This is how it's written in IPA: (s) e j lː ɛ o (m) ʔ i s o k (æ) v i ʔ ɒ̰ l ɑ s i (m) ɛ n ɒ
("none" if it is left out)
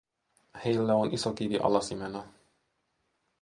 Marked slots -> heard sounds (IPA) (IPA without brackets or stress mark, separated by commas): h, n, i, m